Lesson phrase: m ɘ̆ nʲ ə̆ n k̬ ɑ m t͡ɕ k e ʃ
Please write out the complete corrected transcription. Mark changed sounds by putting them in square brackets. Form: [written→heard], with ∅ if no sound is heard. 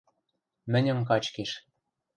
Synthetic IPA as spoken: m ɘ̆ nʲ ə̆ [n→m] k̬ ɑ [m→∅] t͡ɕ k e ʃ